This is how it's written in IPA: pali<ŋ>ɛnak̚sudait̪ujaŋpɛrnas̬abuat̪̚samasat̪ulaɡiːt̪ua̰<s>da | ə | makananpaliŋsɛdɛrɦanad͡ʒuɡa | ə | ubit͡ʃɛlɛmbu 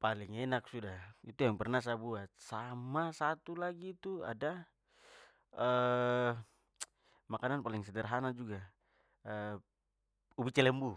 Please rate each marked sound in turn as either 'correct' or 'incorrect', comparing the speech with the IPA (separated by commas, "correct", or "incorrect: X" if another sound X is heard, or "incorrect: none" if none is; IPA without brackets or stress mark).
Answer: correct, incorrect: none